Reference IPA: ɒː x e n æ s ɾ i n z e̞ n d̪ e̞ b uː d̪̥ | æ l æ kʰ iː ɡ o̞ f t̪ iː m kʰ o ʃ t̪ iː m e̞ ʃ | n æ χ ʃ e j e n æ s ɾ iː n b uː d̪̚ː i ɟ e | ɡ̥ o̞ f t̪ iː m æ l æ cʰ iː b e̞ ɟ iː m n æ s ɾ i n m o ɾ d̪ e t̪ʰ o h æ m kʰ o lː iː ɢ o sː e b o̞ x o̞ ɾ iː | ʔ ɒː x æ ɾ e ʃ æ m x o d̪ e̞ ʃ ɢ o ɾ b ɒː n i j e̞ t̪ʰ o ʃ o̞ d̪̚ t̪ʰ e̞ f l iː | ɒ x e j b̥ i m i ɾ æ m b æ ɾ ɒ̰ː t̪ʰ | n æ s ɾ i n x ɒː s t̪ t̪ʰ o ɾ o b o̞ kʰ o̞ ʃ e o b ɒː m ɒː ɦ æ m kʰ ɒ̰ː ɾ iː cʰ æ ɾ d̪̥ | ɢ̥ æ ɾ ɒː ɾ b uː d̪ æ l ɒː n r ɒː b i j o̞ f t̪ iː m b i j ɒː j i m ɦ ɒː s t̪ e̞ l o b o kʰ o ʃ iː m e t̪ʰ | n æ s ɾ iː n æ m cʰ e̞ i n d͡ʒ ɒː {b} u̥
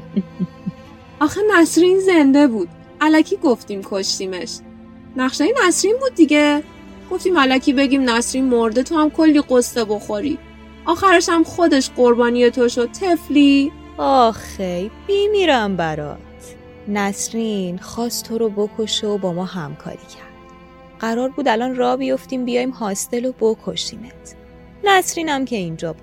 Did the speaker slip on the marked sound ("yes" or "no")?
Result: no